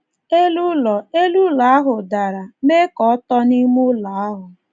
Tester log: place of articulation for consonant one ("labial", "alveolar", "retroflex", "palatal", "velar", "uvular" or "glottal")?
alveolar